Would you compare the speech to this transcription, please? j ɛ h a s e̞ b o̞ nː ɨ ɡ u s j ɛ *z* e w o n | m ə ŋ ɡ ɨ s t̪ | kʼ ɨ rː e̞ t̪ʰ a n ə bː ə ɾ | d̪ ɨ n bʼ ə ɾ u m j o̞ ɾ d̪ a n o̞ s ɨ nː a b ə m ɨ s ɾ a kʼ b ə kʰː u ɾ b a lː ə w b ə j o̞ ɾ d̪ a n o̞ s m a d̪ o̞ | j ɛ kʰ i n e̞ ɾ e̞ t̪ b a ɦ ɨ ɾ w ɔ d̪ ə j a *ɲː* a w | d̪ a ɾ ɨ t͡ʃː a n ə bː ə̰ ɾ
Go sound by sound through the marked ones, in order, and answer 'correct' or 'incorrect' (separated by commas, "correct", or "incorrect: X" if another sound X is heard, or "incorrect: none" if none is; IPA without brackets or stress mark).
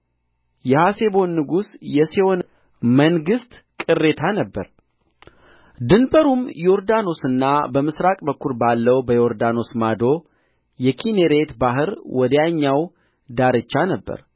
incorrect: s, correct